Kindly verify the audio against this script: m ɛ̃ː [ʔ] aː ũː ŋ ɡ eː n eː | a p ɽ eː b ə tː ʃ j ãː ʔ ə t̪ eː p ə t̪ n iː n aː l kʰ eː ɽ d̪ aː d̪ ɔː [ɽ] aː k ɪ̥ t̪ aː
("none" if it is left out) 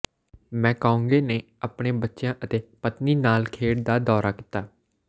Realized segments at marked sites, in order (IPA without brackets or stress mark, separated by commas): k, ɾ